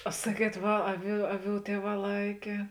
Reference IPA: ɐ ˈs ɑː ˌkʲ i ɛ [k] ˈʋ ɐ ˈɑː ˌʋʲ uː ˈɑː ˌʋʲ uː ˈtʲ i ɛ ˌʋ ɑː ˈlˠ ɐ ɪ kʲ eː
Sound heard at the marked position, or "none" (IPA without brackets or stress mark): t